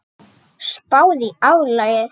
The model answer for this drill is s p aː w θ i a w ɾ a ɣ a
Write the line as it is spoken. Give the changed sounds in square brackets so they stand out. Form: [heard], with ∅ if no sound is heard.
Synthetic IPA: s p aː w [ð] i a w [l] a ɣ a

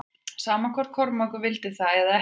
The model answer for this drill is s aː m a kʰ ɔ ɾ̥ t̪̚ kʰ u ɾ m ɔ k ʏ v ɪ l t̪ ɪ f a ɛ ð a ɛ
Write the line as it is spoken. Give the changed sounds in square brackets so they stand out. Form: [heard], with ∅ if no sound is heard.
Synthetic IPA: s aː m a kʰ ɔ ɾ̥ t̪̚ kʰ [ɔ] ɾ m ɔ k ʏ v ɪ l t̪ ɪ [θ] a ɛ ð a ɛ

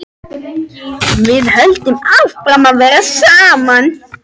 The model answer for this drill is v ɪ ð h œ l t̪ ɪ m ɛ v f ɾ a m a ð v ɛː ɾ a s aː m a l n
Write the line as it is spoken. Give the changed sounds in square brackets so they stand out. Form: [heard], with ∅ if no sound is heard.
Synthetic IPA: v ɪ ð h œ l t̪ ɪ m [a] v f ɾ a m a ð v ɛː ɾ a s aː m a [∅] n

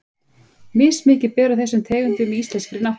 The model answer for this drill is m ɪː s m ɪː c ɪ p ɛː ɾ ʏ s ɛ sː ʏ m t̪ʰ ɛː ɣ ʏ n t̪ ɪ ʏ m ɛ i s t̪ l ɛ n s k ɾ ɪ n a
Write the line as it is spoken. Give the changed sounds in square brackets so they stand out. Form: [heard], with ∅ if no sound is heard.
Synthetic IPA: m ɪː s m ɪː c ɪ p ɛː ɾ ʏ [θ] ɛ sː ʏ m t̪ʰ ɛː ɣ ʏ n t̪ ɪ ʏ m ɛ i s t̪ l ɛ n s k ɾ ɪ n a

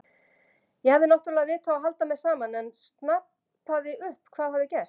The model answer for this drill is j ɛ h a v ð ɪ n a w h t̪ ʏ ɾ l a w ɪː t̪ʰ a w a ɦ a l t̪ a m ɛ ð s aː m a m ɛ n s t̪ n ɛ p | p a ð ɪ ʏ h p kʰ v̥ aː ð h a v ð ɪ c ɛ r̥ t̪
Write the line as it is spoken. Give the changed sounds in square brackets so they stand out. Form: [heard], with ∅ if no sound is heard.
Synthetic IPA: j ɛ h a v ð ɪ n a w h t̪ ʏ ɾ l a [v] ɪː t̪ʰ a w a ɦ a l t̪ a m ɛ ð s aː m a [n] ɛ n s t̪ n [a] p | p a ð ɪ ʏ h p kʰ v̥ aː ð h a v ð ɪ c ɛ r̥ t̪

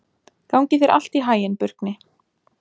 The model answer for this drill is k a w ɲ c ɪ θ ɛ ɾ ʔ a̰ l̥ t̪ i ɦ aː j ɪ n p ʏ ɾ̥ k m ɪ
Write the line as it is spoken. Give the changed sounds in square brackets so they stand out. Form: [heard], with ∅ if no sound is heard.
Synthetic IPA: k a w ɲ c ɪ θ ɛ ɾ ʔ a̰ l̥ t̪ i ɦ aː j ɪ n p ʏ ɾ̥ k [n] ɪ

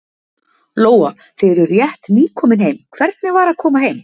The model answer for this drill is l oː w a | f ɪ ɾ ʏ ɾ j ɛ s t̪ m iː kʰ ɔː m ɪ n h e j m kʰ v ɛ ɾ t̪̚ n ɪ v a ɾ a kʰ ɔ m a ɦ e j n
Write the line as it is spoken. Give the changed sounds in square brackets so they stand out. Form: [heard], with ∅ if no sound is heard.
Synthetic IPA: l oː w a | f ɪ ɾ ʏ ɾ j ɛ [h] t̪ [n] iː kʰ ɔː m ɪ n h e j m kʰ v ɛ ɾ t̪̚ n ɪ v a ɾ a kʰ [ɔː] m a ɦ e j [m]

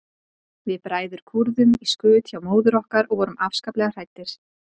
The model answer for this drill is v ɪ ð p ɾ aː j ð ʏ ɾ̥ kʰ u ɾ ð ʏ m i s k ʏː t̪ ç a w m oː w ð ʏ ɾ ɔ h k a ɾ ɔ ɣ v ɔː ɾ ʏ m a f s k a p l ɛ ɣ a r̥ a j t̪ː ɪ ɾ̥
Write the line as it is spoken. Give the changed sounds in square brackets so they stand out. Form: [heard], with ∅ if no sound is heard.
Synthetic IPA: v ɪ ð p ɾ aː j ð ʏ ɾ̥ kʰ u ɾ ð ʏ m i s k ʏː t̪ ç a w m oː w ð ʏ ɾ ɔ h k a ɾ ɔ ɣ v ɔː ɾ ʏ m a f s k a p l ɛ ɣ a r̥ a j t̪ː ɪ ɾ̥

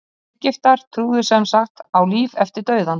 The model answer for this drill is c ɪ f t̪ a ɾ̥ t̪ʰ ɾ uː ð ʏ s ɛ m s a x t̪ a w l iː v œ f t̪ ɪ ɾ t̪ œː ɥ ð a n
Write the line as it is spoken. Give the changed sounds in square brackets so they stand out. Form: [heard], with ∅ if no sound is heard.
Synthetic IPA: c ɪ f t̪ a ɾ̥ t̪ʰ ɾ uː ð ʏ s ɛ m s a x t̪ a w l iː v [ɛ] f t̪ ɪ ɾ t̪ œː ɥ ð a n

